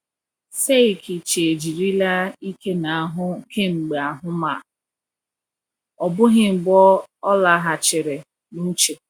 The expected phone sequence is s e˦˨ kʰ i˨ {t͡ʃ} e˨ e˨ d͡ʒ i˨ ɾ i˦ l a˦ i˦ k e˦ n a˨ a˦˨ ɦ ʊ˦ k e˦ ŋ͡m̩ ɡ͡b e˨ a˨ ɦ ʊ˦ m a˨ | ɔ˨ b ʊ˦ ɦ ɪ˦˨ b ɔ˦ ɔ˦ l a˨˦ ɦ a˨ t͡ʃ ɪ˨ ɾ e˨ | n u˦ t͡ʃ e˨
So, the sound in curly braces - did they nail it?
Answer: yes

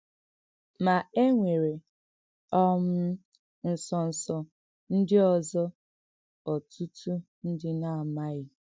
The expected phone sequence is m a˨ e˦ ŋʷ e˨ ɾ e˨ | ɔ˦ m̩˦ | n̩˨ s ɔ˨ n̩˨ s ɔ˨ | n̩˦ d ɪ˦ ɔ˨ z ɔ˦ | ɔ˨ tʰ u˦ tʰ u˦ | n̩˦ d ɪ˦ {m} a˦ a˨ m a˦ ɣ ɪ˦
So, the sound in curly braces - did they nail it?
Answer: no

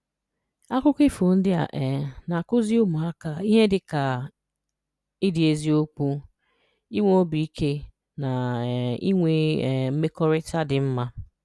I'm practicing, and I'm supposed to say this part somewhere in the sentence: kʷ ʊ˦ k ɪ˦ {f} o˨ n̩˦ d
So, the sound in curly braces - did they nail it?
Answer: yes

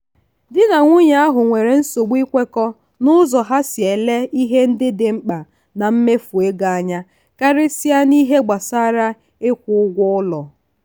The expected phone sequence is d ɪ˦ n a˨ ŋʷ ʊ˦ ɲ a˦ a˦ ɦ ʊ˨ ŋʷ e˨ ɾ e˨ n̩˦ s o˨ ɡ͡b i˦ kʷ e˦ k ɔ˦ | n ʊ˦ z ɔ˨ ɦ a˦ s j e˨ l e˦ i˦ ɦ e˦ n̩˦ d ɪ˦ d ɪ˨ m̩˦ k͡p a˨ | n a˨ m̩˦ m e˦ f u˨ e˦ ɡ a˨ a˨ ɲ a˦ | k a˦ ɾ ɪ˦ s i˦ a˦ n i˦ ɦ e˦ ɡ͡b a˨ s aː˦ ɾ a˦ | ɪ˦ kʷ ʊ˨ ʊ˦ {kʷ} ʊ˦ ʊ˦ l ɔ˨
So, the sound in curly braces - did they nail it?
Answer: no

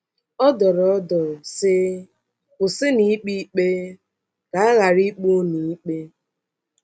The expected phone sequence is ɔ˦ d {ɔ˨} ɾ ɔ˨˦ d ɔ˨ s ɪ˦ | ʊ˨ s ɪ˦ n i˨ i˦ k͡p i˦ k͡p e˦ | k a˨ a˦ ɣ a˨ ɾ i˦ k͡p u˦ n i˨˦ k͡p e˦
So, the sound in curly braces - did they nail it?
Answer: yes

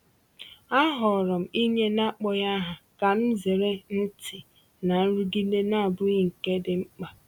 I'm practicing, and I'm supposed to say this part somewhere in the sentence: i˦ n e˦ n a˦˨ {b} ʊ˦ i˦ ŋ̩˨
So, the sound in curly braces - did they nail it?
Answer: yes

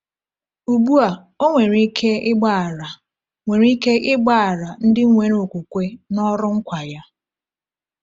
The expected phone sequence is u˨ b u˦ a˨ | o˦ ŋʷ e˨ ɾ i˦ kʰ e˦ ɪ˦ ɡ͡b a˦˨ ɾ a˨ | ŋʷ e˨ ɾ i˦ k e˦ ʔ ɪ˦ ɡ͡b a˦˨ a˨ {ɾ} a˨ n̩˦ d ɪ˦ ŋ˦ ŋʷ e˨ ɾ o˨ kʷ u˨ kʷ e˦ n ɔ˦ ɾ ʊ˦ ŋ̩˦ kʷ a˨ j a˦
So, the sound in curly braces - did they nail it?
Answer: yes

